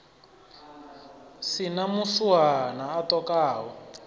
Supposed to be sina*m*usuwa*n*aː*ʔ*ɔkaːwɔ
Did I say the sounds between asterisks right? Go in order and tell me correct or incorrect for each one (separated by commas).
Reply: correct, correct, incorrect